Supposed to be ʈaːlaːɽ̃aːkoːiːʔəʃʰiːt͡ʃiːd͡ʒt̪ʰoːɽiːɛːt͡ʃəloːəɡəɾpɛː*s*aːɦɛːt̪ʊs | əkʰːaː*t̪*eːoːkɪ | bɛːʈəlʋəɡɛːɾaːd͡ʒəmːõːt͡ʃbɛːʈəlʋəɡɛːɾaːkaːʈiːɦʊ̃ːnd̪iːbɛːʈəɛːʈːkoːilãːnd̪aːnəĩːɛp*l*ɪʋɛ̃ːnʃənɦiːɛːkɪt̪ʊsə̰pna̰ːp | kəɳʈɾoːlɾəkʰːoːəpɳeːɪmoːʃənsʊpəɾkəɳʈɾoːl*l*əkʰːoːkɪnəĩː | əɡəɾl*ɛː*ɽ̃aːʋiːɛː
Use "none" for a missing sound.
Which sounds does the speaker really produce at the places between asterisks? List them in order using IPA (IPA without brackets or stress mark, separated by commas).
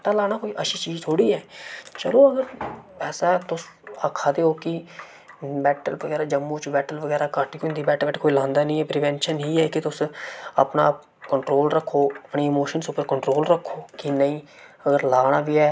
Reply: s, d̪, ɾ, ɾ, aː